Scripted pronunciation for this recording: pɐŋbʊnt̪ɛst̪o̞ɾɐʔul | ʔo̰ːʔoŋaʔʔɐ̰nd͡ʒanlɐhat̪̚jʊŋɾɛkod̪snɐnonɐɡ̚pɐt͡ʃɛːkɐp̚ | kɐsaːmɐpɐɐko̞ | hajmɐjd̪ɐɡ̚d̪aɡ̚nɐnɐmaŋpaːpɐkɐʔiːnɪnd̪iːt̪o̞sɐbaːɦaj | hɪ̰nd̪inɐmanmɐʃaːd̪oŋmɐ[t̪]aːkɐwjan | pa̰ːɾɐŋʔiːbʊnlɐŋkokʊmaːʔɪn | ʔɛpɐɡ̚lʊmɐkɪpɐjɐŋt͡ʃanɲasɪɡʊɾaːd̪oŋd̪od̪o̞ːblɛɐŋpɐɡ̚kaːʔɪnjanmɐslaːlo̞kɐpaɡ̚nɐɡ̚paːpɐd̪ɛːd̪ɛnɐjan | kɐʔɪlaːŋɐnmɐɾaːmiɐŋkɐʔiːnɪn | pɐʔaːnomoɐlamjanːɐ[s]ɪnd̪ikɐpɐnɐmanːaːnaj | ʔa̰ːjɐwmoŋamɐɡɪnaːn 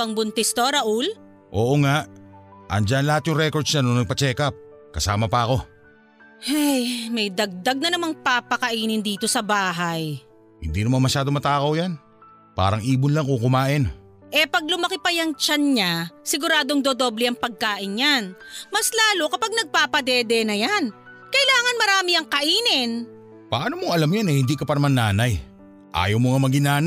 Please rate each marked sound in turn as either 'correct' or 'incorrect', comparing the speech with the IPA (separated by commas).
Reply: correct, incorrect